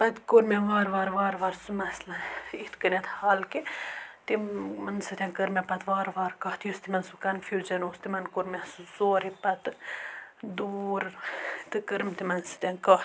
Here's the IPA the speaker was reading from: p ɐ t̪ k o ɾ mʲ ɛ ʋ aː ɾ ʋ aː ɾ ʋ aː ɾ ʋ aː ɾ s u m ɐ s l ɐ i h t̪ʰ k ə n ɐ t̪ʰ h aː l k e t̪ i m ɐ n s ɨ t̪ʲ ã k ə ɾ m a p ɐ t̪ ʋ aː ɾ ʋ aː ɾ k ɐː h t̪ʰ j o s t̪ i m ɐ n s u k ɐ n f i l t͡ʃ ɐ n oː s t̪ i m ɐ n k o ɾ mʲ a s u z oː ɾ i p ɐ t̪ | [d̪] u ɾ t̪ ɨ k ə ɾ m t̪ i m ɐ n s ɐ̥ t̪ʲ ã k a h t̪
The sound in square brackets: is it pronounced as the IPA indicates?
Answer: yes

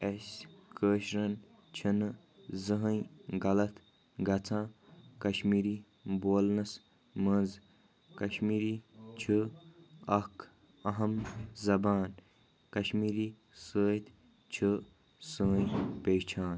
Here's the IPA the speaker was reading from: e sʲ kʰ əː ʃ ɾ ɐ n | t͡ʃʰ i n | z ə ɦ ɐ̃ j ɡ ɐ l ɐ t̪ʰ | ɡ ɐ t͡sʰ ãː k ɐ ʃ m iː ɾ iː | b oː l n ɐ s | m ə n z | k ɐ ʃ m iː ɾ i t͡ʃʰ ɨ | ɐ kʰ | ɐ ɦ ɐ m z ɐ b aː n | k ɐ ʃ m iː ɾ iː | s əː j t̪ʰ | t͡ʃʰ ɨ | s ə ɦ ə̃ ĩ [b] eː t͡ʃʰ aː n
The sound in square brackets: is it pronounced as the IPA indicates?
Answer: no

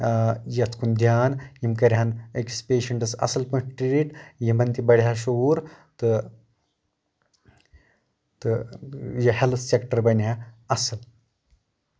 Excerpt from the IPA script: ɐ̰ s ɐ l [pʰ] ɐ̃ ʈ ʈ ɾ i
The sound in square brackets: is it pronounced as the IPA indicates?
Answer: no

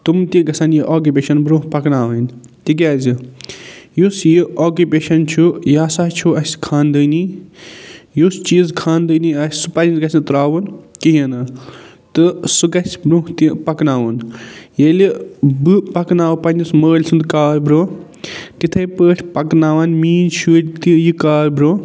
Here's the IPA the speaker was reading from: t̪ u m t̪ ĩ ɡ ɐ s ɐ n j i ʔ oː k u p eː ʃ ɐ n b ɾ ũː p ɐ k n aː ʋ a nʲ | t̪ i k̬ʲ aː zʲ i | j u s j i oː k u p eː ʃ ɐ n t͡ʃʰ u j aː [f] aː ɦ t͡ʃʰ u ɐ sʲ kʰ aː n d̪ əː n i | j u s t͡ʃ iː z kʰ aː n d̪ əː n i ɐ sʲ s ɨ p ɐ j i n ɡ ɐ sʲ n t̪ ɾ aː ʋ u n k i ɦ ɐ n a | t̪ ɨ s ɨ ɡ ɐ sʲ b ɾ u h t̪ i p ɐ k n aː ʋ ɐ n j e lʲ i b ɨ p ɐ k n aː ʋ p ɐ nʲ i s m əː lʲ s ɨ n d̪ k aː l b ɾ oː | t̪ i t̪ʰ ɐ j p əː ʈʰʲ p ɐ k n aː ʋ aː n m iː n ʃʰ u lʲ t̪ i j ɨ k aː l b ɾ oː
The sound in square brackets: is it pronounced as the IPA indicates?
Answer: no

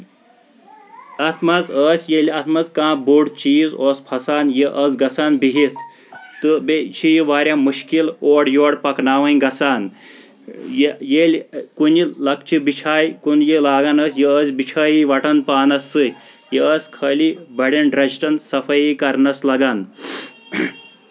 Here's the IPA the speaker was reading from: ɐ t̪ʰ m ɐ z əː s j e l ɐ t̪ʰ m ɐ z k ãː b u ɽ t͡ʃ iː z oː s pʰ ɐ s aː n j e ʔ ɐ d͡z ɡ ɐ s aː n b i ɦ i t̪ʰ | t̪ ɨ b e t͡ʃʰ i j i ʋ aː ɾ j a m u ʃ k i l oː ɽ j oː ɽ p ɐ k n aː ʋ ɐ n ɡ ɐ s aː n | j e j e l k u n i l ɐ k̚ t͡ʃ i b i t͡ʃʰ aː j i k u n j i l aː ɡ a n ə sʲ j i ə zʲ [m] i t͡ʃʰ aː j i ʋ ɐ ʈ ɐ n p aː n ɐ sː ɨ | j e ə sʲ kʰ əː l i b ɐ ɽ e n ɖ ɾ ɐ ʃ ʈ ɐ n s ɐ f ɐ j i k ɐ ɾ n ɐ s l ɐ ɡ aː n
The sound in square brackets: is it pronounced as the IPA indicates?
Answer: no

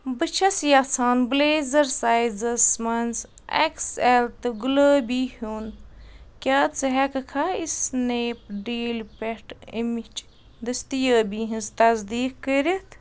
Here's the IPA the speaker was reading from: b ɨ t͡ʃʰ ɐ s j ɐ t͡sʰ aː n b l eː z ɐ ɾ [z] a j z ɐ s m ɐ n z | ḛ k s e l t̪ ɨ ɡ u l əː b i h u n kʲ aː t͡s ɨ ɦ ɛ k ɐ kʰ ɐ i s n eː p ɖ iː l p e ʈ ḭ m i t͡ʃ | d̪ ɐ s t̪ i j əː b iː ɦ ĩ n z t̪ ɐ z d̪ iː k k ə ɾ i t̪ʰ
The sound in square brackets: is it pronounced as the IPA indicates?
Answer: no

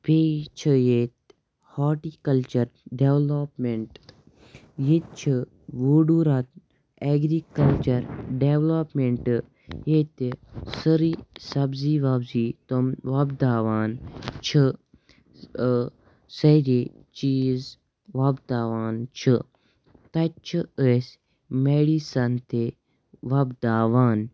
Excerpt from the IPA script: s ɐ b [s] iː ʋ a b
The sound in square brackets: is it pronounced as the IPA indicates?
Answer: no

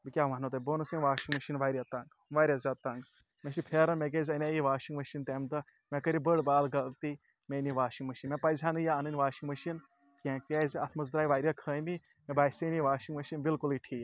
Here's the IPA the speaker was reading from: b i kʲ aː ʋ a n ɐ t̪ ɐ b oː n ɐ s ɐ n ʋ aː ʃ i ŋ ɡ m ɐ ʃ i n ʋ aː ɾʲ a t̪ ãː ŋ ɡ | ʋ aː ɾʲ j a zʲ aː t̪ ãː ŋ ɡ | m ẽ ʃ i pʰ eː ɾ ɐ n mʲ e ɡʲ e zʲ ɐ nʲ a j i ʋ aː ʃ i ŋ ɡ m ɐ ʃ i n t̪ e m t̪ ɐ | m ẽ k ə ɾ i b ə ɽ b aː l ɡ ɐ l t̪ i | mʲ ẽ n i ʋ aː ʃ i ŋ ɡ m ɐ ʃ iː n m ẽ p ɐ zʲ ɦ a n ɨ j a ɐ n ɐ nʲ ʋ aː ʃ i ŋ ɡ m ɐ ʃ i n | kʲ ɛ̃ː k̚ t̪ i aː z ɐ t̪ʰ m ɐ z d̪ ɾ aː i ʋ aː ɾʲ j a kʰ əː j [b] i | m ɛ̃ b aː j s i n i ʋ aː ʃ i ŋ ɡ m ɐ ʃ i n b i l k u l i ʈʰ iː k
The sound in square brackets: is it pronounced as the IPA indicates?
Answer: no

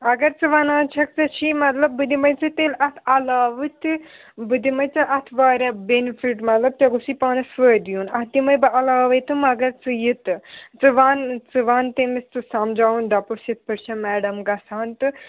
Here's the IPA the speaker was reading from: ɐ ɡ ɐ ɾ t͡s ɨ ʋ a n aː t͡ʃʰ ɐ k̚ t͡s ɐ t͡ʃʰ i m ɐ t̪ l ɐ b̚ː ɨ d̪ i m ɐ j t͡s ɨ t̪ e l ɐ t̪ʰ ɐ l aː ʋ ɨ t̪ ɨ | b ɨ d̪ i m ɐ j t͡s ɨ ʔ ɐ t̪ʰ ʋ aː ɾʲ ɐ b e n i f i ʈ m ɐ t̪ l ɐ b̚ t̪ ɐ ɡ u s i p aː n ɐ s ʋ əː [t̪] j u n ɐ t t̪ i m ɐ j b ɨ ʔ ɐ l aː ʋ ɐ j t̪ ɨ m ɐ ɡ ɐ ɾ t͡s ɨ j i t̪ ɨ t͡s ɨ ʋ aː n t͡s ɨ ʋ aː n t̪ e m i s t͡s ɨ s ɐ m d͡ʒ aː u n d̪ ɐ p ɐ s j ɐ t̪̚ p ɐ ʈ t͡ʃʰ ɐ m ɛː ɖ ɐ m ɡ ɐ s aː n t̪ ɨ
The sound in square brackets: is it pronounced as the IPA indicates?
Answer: no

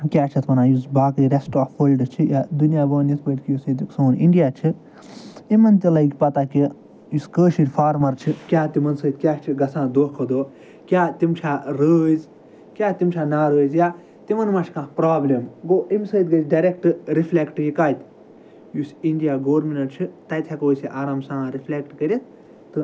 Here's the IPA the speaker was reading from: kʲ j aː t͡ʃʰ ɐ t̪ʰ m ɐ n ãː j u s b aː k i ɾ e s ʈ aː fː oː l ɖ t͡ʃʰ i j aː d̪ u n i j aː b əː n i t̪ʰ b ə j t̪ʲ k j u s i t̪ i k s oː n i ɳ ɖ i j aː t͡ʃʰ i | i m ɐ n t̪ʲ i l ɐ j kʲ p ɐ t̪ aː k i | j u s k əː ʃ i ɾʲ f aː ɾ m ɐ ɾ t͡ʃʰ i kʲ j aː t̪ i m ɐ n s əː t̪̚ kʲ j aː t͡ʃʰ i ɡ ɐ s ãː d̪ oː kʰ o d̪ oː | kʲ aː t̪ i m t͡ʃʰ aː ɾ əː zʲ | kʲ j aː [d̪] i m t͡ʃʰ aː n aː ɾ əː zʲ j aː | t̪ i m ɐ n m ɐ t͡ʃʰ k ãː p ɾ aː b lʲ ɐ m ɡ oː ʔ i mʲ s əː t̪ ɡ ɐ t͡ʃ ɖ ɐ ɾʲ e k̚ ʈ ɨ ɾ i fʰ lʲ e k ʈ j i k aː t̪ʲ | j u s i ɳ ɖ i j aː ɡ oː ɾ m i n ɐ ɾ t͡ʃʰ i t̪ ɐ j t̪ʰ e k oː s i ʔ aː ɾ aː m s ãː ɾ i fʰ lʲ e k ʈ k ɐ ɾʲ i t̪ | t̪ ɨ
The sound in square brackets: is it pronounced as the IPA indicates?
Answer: no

